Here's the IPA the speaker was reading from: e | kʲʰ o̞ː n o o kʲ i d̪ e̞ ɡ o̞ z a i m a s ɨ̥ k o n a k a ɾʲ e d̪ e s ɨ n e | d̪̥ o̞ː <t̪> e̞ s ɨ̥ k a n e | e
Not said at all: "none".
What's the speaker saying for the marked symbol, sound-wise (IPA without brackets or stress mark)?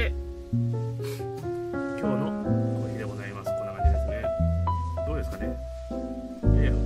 d̪